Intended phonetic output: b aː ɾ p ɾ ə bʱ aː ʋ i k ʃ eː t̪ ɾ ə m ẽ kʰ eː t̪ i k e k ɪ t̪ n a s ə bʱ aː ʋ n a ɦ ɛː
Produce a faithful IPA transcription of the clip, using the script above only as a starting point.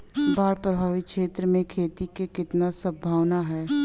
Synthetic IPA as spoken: b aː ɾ p ɾ ə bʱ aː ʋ i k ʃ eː t̪ ɾ ə m ẽ kʰ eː t̪ i k e k ɪ t̪ n a s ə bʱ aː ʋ n a ɦ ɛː